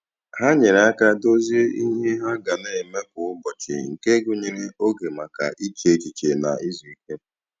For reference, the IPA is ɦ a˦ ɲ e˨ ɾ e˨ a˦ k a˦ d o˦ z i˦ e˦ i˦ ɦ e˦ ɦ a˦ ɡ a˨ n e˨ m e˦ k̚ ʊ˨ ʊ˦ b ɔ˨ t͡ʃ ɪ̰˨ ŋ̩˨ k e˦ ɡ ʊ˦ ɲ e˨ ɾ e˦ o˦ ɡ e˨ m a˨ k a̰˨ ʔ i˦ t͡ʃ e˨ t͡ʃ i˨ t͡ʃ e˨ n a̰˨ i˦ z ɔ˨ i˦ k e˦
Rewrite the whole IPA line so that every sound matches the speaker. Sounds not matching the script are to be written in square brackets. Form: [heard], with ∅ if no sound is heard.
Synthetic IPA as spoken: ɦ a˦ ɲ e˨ ɾ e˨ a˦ k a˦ d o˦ z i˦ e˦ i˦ ɦ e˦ ɦ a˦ ɡ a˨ n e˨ m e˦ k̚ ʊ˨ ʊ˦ b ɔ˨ t͡ʃ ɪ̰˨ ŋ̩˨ k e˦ ɡ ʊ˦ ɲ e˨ ɾ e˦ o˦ ɡ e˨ m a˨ k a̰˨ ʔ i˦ t͡ʃ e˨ t͡ʃ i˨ t͡ʃ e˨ n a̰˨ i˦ z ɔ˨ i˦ k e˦